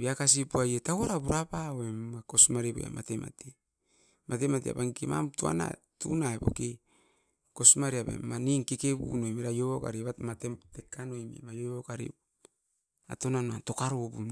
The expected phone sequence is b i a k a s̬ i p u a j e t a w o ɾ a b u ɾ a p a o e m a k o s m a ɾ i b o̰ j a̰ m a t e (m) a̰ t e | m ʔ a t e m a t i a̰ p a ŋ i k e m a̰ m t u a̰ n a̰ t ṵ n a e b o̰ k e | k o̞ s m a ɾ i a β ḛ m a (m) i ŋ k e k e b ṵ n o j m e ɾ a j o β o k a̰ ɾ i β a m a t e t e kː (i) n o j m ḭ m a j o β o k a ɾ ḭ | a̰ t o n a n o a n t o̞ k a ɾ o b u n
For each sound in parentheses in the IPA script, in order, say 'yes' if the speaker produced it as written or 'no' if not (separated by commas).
yes, no, no